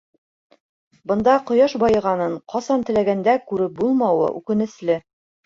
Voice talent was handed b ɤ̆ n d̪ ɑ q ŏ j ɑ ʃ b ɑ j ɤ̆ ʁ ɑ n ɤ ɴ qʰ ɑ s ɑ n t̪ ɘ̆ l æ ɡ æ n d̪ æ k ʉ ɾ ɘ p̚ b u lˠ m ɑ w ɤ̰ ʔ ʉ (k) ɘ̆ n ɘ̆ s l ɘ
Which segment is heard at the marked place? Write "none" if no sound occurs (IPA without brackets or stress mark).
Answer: k